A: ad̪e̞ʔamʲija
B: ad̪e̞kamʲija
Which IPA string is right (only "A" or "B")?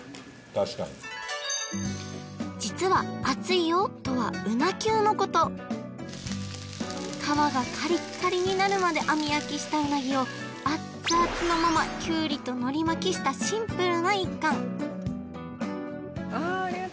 A